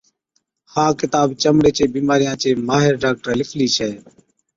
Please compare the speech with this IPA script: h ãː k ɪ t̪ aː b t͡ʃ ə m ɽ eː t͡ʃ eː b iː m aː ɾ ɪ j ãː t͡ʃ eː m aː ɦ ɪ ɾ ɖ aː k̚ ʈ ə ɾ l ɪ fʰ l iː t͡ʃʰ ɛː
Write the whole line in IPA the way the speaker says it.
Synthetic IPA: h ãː k ɪ t̪ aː b t͡ʃ ə m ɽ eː t͡ʃ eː b iː m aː ɾ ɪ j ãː t͡ʃ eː m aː ɦ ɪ ɾ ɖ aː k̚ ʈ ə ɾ l ɪ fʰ l iː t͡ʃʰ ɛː